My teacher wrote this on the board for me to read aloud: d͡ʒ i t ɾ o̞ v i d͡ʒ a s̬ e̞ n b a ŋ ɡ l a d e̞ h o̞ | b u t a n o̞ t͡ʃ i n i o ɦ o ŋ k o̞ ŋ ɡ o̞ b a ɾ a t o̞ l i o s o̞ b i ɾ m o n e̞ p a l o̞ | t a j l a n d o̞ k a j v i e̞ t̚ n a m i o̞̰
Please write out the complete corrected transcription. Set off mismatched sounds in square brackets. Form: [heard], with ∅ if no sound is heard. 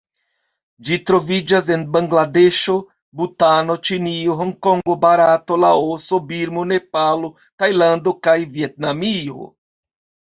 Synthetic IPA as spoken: d͡ʒ i t ɾ o̞ v i d͡ʒ a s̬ e̞ n b a ŋ ɡ l a d e̞ [ʃ] o̞ | b u t a n o̞ t͡ʃ i n i o ɦ o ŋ k o̞ ŋ ɡ o̞ b a ɾ a t o̞ l [a] o s o̞ b i ɾ m o n e̞ p a l o̞ | t a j l a n d o̞ k a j v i e̞ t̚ n a m i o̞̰